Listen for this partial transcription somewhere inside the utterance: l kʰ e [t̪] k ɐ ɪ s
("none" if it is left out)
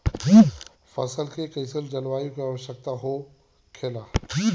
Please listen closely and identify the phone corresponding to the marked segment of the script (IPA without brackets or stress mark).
none